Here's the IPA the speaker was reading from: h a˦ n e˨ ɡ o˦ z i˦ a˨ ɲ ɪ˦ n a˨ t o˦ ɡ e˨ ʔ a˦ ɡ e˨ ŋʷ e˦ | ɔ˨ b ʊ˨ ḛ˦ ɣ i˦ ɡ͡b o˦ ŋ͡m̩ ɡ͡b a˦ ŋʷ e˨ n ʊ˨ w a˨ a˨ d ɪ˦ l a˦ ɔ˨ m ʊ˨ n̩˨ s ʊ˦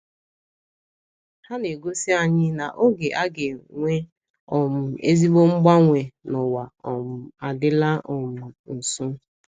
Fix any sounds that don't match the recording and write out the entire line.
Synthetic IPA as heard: h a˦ n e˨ ɡ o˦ s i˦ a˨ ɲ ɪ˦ n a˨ ʔ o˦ ɡ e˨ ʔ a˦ ɡ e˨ ŋʷ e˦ | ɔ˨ m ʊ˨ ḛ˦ z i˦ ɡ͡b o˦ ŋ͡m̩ ɡ͡b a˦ ŋʷ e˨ n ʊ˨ w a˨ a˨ d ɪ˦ l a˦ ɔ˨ m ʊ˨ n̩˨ s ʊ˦

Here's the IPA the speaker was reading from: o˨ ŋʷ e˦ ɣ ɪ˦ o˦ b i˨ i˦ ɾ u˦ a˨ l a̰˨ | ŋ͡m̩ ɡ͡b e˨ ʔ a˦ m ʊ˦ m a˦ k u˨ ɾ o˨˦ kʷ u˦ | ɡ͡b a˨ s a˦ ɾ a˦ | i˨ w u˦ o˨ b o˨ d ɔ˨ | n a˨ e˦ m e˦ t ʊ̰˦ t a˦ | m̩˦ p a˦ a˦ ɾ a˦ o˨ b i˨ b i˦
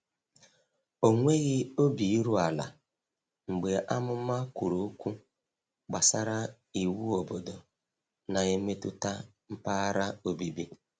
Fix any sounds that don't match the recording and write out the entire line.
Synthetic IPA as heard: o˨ ŋʷ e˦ ɣ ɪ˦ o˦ b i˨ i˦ ɾ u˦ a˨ l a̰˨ | ŋ͡m̩ ɡ͡b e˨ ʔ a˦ m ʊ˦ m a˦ k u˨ ɾ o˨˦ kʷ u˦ | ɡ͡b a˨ s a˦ ɾ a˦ | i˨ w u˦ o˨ b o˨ d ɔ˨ | n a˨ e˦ m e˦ t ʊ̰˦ t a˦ | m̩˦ p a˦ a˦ ɾ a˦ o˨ b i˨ b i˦

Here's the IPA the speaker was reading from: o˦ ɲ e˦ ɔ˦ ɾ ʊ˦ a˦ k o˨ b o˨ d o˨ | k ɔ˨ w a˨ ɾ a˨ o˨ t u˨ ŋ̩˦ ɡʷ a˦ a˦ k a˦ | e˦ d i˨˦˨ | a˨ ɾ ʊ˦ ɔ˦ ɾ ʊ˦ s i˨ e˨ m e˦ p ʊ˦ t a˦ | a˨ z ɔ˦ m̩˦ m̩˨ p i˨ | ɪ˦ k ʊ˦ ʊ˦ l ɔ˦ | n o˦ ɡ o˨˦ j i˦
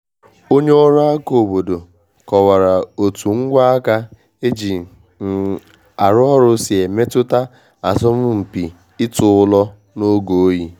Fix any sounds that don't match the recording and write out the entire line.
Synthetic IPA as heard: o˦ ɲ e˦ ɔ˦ ɾ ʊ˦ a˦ k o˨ b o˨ d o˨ | k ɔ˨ w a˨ ɾ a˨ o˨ t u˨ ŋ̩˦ ɡʷ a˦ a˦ k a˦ | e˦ d͡ʒ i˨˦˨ | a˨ ɾ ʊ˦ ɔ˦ ɾ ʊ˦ s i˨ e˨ m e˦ t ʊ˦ t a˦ | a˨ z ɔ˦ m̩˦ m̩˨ p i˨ | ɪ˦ t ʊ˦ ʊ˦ l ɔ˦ | n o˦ ɡ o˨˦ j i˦

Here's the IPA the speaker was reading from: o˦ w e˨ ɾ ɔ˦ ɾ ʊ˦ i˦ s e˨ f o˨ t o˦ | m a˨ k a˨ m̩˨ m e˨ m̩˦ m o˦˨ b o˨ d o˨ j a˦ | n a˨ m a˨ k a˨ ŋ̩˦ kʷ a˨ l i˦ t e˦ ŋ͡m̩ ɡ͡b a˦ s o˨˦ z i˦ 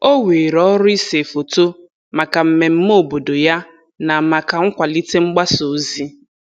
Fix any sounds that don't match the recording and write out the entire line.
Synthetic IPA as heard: o˦ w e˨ ɾ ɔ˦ ɾ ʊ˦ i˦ s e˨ f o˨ t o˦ | m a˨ k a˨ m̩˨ m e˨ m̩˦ m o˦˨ b o˨ d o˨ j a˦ | n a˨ m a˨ k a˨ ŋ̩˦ kʷ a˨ l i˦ t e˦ ŋ͡m̩ ɡ͡b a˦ s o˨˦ z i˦

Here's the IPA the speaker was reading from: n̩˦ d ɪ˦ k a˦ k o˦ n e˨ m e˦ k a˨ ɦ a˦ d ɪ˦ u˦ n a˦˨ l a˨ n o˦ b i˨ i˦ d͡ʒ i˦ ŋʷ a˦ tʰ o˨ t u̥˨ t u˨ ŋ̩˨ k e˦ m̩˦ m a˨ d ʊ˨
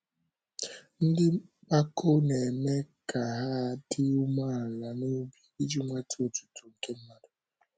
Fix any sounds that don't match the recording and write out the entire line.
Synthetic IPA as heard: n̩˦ d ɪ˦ k͡p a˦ k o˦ n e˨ m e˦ k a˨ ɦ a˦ d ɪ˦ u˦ m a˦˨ l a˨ n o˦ b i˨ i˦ d͡ʒ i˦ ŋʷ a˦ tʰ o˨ t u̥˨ t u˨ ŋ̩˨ k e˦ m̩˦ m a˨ d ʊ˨

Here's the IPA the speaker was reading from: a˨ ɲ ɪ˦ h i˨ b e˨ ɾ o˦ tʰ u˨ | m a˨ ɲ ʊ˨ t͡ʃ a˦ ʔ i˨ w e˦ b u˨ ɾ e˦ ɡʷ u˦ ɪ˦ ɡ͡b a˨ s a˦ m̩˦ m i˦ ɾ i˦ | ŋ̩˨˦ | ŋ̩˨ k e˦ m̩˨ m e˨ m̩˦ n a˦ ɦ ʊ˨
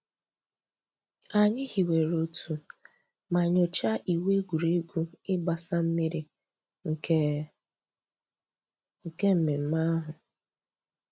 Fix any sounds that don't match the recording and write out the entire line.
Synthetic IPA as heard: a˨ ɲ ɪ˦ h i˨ w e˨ ɾ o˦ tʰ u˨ | m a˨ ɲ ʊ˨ t͡ʃ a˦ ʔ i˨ w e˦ ɡ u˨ ɾ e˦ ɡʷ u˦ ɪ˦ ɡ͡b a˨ s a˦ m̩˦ m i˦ ɾ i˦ | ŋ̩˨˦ | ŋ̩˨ k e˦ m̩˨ m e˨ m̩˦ m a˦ ɦ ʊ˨

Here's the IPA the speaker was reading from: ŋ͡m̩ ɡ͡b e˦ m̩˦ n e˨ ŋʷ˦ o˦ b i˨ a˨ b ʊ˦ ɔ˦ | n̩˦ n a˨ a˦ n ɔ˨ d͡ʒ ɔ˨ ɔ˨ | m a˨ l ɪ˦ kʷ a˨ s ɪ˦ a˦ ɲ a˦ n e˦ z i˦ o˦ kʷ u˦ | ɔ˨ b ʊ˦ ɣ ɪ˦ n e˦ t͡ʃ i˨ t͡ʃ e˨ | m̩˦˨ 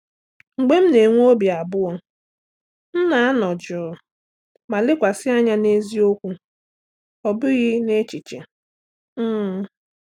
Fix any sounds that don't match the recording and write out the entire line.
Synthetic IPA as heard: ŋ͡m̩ ɡ͡b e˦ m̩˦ n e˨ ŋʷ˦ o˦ b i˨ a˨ b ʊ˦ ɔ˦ | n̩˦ n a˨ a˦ n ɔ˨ d͡ʒ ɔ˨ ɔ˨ | m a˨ l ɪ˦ kʷ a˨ s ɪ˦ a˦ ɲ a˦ n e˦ z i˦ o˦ kʷ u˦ | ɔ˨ b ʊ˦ ɣ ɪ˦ n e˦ t͡ʃ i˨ t͡ʃ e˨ | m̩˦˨

